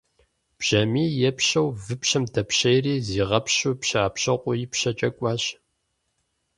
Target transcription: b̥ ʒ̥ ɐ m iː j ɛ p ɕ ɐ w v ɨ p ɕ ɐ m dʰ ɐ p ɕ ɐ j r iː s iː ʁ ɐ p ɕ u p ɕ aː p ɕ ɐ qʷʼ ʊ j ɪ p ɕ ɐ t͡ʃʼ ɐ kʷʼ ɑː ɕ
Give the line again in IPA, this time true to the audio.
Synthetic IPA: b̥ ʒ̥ ɐ m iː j ɛ p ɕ ɐ w v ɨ p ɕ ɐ m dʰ ɐ p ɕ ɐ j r iː z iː ʁ ɐ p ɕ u p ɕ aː p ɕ ɐ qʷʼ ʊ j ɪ p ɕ ɐ t͡ʃʼ ɐ kʷʼ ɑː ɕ